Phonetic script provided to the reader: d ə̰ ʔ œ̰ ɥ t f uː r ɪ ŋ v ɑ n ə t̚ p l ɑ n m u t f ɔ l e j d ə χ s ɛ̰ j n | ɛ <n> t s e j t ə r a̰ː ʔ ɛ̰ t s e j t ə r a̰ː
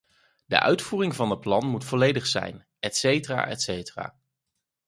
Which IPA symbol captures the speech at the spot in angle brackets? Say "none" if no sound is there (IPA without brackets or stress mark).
none